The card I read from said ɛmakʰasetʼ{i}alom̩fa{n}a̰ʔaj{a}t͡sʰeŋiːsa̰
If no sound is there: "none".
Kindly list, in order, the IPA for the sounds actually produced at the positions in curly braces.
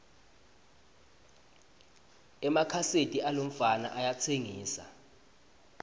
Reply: i, n, a

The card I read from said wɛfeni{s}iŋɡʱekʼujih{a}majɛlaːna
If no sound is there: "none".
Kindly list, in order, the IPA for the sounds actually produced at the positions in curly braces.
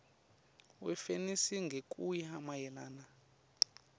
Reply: s, a

